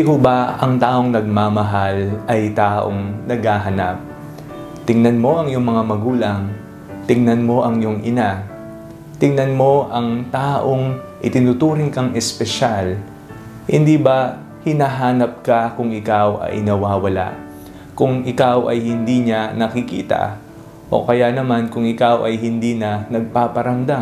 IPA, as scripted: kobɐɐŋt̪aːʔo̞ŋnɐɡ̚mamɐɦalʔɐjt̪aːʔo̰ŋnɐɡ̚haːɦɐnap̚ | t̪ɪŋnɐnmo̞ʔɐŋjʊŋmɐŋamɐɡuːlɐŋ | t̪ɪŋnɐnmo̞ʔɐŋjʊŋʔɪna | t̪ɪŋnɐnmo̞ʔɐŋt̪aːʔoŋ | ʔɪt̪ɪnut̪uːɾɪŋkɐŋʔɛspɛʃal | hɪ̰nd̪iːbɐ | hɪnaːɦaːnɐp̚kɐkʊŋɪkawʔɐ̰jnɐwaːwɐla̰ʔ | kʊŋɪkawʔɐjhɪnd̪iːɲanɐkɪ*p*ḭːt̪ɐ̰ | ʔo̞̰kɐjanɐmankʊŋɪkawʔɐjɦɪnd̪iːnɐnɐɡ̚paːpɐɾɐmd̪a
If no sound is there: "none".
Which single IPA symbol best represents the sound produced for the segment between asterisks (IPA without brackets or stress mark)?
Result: k